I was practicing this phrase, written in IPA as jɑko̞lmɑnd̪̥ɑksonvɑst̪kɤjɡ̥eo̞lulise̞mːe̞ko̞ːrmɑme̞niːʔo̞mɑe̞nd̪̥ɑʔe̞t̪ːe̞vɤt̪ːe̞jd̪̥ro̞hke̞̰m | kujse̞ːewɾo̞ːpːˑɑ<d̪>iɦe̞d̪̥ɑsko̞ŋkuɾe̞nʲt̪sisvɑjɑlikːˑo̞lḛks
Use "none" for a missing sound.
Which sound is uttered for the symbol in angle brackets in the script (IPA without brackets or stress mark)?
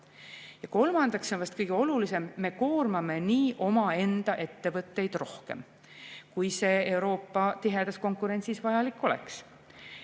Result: t̪